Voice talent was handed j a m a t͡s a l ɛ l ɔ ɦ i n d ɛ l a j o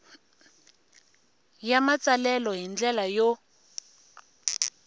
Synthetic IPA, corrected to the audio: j a m a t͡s a l ɛ l ɔ ɦ i n d͡ɮ ɛ l a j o